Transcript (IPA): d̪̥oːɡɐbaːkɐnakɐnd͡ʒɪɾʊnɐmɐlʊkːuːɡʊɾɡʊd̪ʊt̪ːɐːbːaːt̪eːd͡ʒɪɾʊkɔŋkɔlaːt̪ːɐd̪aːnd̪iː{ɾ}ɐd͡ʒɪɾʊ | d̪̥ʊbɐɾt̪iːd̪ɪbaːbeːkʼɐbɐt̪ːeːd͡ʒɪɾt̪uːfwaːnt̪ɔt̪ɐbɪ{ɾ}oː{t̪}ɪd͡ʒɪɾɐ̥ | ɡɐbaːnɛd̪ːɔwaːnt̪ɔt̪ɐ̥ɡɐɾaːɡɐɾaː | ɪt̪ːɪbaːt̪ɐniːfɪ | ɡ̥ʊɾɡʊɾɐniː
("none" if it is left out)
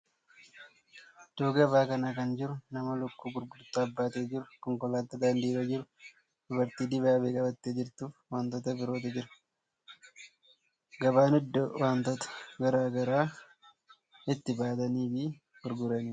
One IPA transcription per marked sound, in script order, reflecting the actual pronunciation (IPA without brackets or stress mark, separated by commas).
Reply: ɾ, ɾ, t̪